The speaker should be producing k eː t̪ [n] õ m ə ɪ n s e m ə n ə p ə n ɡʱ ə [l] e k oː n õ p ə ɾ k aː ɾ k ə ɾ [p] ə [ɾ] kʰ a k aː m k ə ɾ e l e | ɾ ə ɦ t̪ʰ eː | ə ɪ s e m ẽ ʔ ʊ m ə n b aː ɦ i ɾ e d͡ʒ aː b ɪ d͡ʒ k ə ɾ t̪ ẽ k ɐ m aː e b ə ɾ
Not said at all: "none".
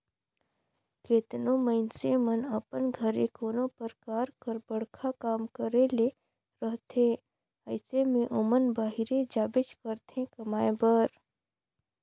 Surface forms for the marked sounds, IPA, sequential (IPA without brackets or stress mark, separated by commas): n, ɾ, b, ɽ